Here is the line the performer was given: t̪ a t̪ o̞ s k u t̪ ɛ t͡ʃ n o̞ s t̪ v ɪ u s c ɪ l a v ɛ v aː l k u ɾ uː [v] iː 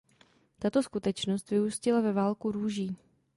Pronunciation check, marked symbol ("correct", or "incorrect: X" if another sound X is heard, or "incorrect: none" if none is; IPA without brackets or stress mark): incorrect: ʒ